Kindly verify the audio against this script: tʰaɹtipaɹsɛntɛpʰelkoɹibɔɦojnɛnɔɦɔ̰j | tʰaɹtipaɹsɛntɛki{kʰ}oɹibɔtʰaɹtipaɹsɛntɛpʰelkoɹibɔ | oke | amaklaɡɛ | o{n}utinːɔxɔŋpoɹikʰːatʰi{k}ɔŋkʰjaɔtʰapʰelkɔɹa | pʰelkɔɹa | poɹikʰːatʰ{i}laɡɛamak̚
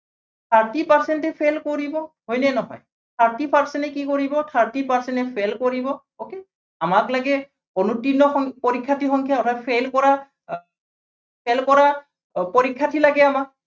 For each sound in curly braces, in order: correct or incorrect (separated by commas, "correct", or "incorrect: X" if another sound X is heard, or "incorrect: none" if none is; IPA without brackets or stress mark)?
incorrect: k, correct, incorrect: x, correct